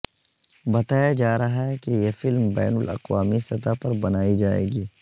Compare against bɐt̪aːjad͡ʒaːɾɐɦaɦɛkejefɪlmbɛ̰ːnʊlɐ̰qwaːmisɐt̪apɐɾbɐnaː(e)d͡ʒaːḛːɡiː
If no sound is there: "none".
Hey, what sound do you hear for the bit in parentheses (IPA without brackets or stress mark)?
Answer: i